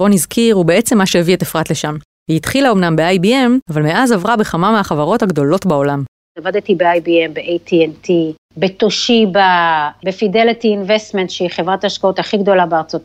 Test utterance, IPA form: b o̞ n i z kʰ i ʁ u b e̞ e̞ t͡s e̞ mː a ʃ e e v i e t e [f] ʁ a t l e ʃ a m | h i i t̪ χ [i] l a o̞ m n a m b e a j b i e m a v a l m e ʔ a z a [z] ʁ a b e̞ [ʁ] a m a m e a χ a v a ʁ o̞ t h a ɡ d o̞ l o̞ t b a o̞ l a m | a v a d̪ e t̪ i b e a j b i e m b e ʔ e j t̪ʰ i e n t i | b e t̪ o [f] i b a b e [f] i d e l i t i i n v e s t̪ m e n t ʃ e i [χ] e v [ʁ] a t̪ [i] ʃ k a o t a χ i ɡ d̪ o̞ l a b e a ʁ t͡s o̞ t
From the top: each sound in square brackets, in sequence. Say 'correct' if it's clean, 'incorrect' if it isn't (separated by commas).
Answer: correct, correct, incorrect, incorrect, incorrect, correct, correct, correct, incorrect